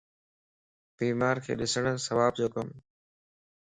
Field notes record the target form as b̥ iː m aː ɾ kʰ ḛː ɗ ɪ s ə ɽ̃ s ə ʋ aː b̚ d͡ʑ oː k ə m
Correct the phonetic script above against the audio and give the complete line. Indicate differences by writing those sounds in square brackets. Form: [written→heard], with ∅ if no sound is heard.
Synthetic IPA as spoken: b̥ iː m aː ɾ kʰ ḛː ɗ ɪ s ə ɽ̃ s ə ʋ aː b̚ d͡ʑ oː k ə m